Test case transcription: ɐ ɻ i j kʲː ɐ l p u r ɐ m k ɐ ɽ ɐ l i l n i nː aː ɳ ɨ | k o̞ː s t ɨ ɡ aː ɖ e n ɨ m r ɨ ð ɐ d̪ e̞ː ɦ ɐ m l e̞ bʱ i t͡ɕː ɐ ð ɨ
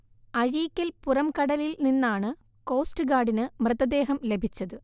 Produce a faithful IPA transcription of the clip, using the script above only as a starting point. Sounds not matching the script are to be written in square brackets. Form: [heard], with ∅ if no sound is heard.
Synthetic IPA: ɐ ɻ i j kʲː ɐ l p u r ɐ m k ɐ ɽ ɐ l i l n i nː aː ɳ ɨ | k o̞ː s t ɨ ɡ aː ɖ [i] n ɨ m r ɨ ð ɐ d̪ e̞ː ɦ ɐ m l e̞ bʱ i t͡ɕː ɐ ð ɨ